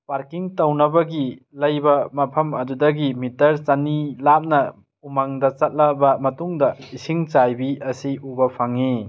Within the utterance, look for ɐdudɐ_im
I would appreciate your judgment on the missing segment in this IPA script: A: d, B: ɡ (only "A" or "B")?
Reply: B